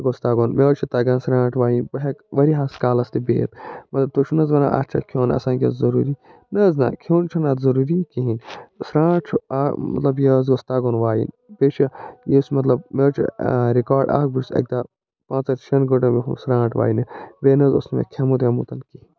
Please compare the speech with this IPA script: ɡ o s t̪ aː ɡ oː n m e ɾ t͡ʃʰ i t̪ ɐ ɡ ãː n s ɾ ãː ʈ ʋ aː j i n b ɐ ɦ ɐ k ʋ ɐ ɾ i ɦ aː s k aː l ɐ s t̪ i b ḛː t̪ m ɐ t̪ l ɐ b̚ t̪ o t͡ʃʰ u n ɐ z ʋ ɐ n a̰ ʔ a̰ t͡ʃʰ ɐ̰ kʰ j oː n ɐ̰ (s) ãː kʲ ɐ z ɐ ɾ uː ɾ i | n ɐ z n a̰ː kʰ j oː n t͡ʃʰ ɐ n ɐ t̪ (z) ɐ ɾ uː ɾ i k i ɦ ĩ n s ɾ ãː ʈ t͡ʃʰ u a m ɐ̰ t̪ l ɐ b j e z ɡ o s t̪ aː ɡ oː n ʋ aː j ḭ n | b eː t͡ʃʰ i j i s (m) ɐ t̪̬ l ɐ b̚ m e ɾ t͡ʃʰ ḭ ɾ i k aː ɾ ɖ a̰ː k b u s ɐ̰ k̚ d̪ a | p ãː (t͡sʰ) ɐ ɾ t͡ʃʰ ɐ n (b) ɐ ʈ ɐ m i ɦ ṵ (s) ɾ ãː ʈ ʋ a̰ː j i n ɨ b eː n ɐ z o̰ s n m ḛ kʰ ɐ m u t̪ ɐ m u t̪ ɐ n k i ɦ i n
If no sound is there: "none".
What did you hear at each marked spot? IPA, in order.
s, z, m, t͡s, ɡ, s

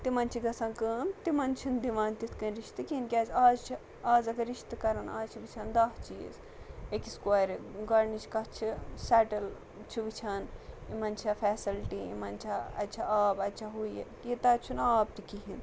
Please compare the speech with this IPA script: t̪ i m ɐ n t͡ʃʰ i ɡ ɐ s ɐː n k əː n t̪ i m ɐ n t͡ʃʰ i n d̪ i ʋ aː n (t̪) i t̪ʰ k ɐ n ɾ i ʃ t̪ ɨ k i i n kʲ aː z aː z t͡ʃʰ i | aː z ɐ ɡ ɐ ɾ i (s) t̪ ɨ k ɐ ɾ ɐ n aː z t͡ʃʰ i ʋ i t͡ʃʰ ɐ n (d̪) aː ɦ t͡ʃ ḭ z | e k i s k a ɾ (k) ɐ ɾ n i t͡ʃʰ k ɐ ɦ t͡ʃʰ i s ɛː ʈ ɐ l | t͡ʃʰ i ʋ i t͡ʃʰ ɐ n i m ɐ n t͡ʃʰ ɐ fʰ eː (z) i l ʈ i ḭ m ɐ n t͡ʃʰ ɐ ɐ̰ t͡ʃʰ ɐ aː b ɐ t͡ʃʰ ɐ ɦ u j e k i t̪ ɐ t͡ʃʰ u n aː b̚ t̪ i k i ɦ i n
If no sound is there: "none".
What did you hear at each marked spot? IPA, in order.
t̪, ʃ, d̪, ɡ, s

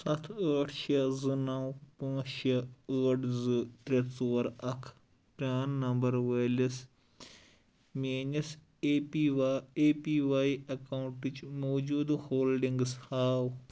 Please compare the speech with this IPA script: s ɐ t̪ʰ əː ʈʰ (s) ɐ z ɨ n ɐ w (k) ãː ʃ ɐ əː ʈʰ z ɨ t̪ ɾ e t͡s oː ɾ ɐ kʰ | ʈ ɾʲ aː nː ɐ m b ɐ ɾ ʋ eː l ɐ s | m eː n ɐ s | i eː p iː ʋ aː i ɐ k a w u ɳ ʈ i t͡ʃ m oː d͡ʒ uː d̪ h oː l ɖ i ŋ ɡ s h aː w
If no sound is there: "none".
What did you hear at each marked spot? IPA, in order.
ʃ, p

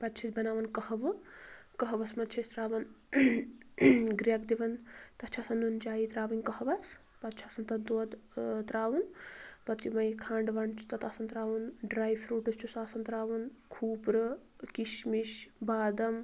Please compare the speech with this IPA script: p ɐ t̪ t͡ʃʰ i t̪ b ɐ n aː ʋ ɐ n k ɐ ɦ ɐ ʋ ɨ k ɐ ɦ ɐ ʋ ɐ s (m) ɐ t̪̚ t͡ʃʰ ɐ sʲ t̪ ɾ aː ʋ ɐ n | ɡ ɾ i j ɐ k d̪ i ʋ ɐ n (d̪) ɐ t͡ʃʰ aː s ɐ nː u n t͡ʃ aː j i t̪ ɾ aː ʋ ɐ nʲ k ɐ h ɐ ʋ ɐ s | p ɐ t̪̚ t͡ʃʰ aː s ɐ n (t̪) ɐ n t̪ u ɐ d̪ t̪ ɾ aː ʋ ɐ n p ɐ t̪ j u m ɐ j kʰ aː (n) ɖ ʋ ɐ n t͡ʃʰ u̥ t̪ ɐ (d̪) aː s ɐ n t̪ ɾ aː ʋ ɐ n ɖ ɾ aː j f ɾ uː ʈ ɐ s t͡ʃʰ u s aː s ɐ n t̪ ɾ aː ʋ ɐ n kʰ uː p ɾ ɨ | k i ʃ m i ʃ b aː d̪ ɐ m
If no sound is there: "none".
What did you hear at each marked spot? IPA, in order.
m, t̪, t̪, ɳ, t̪

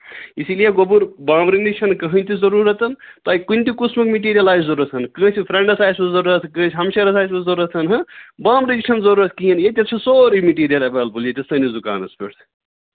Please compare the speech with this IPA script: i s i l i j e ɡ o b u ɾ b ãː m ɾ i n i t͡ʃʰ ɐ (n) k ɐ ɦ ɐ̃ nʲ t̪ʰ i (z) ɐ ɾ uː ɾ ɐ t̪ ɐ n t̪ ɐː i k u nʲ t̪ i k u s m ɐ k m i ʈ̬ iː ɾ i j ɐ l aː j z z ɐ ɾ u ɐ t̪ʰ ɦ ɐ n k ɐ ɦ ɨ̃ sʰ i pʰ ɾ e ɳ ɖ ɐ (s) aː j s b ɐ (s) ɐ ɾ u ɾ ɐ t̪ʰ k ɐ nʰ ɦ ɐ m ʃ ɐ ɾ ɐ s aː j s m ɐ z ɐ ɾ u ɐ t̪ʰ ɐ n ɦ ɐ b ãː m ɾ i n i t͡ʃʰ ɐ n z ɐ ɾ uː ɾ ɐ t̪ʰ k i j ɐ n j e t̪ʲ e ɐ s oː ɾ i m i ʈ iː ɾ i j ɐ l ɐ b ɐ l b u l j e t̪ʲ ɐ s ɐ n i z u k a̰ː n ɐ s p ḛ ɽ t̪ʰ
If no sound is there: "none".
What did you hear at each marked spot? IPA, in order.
n, z, s, z

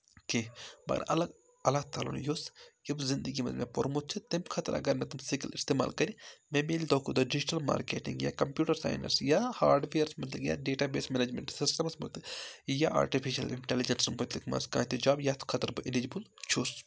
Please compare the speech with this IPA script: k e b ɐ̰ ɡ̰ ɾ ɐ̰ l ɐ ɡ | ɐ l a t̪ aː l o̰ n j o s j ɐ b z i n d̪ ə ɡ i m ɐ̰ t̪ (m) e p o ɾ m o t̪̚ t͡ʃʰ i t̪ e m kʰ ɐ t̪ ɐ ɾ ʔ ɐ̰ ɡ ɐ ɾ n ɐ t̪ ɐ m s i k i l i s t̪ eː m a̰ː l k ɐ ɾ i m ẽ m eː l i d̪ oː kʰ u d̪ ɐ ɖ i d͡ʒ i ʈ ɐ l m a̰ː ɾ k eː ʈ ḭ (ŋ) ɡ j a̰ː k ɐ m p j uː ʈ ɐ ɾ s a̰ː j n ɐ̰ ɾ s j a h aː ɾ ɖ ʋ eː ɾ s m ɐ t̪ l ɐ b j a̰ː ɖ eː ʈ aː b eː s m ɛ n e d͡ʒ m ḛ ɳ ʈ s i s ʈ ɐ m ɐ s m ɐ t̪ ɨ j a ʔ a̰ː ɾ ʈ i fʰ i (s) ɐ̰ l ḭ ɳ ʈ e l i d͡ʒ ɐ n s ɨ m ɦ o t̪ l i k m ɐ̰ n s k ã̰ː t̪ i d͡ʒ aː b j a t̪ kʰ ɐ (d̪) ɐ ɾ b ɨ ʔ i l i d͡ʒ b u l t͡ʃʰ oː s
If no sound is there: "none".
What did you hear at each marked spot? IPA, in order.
m, ŋ, ʃ, t̪

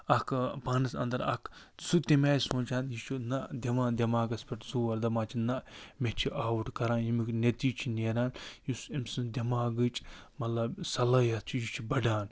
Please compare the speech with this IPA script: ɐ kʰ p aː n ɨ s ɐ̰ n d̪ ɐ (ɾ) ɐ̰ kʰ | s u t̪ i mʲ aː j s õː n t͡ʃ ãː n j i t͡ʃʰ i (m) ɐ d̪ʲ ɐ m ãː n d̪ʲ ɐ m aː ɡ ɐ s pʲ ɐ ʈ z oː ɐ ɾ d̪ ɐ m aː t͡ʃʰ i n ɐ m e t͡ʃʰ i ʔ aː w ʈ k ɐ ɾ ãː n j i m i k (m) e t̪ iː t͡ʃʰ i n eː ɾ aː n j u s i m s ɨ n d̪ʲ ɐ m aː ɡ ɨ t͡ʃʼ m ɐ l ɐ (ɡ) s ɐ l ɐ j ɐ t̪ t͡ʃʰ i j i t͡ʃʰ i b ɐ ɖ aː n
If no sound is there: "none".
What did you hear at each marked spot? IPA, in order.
ɾ, n, n, b

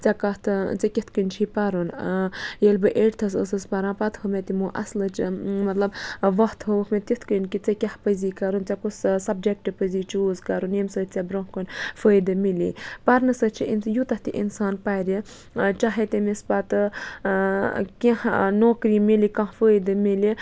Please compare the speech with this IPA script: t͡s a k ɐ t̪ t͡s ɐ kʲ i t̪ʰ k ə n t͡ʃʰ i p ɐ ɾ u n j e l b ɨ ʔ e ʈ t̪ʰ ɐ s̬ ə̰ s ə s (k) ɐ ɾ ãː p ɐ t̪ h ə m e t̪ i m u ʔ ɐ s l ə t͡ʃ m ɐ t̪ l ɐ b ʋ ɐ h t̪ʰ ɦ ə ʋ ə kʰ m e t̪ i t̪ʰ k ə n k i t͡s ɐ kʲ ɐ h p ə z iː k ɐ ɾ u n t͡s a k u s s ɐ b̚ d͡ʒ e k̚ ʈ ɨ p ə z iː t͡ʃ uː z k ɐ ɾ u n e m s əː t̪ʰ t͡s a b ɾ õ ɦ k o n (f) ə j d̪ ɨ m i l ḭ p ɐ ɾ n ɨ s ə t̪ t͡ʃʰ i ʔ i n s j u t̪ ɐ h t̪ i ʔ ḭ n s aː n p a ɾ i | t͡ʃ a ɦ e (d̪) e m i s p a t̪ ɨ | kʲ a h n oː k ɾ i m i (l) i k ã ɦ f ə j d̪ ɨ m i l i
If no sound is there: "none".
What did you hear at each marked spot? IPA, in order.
p, f, t̪, l

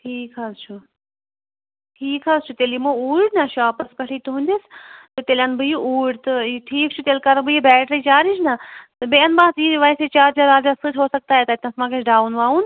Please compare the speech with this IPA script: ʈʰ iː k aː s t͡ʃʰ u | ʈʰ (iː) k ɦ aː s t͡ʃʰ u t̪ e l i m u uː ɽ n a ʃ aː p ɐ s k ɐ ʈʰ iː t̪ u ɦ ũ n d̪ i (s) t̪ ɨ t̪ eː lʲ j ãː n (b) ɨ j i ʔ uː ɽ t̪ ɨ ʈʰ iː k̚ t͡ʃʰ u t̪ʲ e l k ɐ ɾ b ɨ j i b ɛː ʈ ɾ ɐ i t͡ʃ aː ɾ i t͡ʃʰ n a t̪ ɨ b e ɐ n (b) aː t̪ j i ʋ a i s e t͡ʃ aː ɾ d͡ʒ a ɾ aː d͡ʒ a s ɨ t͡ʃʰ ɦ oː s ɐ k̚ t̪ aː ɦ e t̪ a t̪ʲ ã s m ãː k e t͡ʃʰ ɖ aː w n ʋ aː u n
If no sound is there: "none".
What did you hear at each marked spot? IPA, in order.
iː, s, b, b

